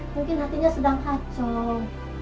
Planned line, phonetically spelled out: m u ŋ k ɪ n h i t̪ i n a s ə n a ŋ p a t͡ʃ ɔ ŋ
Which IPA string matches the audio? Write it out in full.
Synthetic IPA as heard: m u ŋ k ɪ n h a t̪ i ɲ a s ə d a ŋ k a t͡ʃ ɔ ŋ